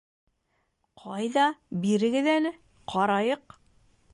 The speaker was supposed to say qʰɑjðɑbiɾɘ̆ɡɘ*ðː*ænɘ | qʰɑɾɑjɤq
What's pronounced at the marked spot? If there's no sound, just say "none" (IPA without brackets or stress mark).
ð